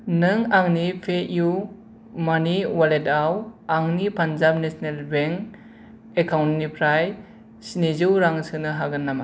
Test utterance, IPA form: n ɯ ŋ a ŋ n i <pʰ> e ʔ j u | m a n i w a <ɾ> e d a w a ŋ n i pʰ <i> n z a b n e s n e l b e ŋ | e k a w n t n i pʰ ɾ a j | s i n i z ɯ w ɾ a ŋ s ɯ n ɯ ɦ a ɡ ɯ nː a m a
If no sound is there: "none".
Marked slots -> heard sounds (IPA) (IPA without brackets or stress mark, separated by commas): pʰ, l, a